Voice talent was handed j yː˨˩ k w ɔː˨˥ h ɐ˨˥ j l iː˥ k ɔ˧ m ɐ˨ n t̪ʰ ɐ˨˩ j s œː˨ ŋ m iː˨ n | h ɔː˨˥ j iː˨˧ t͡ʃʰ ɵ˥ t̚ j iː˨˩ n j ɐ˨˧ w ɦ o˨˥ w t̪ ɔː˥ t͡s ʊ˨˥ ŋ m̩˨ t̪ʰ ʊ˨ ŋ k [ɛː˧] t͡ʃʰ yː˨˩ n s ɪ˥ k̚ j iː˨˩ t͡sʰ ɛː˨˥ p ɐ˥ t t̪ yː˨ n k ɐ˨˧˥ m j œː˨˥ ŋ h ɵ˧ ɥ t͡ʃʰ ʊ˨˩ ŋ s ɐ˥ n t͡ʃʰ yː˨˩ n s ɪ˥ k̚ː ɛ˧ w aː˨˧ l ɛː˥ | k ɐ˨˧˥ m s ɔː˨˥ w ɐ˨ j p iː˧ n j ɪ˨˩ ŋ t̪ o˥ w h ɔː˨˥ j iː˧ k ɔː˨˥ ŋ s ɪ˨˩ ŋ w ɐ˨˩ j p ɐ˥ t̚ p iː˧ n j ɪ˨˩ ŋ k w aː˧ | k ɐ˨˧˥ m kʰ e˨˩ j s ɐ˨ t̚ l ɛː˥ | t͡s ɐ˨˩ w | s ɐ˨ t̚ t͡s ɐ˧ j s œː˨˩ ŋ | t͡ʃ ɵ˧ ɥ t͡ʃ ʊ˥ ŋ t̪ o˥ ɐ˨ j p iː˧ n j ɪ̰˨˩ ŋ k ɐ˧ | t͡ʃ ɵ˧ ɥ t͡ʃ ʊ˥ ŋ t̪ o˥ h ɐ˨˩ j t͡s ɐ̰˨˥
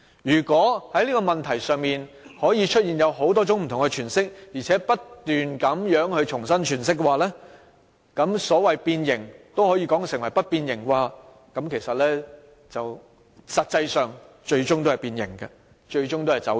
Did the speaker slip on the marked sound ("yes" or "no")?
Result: yes